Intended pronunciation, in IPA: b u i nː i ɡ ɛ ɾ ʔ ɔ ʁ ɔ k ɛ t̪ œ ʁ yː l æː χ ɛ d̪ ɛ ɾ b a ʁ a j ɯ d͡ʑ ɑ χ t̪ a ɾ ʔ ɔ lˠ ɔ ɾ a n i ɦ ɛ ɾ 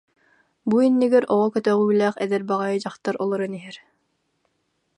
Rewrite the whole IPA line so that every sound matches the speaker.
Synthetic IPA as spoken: b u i nː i ɡ ɛ ɾ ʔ ɔ ʁ ɔ k œ t̪ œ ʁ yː l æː χ ɛ d̪ ɛ ɾ b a ʁ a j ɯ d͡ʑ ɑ χ t̪ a ɾ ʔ ɔ lˠ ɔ ɾ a n i ɦ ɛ ɾ